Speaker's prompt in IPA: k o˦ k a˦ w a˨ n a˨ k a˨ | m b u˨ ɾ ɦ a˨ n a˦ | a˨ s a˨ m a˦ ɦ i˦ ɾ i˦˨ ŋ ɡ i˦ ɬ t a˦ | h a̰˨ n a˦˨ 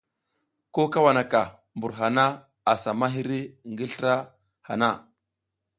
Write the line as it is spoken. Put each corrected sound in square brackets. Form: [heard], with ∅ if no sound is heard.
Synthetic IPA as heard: k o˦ k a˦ w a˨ n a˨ k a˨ | m b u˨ ɾ ɦ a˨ n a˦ | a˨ s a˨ m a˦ ɦ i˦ ɾ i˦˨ ŋ ɡ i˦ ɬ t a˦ | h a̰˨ n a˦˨